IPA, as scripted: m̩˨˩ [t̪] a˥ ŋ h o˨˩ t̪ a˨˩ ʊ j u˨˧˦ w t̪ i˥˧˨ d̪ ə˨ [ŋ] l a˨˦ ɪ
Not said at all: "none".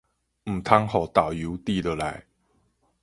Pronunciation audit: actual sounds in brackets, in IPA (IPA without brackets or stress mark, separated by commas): t̪ʰ, none